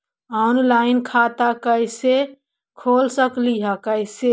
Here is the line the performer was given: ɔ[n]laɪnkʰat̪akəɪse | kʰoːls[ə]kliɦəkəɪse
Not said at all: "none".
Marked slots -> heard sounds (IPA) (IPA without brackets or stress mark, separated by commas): n, ə